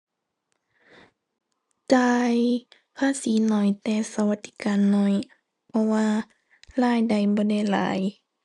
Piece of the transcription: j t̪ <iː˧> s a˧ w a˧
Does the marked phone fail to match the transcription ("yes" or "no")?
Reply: yes